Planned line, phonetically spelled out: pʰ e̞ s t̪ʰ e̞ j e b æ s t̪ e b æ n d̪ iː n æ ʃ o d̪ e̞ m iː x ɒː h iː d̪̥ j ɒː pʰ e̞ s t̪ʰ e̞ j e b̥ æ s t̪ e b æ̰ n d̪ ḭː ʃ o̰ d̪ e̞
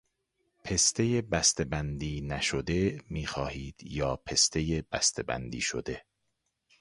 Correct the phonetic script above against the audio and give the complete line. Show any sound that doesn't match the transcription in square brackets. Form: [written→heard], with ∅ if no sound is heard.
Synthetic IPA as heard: pʰ e̞ s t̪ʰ e̞ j e b æ s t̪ e b æ n d̪ iː n æ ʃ o d̪ e̞ m iː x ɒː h iː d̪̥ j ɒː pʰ e̞ s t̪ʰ e̞ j e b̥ æ s t̪ e b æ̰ n d̪ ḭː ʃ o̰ d̪ e̞

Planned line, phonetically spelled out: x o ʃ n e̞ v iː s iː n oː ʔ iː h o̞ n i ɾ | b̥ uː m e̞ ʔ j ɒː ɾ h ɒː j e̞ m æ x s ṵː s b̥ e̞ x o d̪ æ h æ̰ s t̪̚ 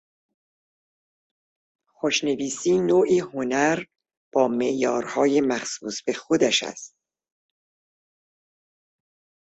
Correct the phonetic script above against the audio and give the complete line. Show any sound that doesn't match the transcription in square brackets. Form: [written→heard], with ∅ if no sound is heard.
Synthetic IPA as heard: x o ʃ n e̞ v iː s iː n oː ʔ iː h o̞ n [i→æ] ɾ | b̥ [uː→ɒː] m e̞ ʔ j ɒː ɾ h ɒː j e̞ m æ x s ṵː s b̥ e̞ x o d̪ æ [h→ʃ] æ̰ s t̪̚

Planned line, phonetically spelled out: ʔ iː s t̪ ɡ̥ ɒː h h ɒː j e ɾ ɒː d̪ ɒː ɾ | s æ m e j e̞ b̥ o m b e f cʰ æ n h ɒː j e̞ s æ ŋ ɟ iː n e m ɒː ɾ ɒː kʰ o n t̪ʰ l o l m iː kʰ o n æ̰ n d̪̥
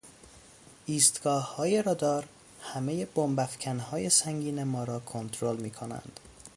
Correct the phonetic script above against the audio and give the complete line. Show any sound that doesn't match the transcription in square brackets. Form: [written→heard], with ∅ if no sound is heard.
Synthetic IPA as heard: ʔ iː s t̪ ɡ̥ ɒː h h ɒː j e ɾ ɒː d̪ ɒː ɾ | [s→h] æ m e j e̞ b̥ o m b [e→æ] f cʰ æ n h ɒː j e̞ s æ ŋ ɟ iː n e m ɒː ɾ ɒː kʰ o n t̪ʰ [l→ɾ] o l m iː kʰ o n æ̰ n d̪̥

